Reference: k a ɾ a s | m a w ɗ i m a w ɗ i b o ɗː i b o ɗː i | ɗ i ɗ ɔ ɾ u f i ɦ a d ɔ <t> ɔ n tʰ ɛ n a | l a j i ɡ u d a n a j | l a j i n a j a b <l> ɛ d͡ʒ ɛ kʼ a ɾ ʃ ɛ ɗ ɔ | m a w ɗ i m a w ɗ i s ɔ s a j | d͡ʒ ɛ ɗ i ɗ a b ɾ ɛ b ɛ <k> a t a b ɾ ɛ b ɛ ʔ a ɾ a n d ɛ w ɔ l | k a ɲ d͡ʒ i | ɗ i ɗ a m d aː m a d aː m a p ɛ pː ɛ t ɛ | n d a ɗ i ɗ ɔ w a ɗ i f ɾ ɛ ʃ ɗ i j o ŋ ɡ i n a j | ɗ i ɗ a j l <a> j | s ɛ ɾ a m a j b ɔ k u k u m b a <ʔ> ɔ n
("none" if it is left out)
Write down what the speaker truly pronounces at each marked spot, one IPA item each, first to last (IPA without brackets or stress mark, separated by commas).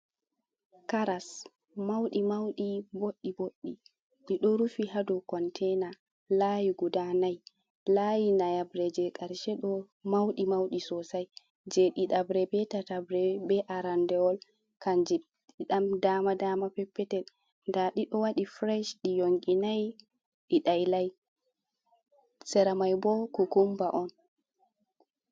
k, ɾ, t, a, ʔ